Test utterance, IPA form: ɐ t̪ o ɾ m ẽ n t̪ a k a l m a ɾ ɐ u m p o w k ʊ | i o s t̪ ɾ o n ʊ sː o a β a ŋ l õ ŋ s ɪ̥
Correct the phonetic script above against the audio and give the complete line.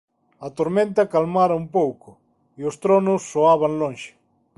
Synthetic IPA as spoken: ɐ t̪ o ɾ m ẽ n t̪ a k a l m a ɾ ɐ u m p o w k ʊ | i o s t̪ ɾ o n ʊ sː o a β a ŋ l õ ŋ ʃ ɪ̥